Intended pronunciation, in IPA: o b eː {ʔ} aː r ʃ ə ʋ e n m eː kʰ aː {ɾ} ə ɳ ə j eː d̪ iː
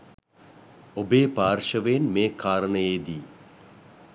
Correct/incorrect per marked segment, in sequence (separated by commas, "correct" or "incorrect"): incorrect, correct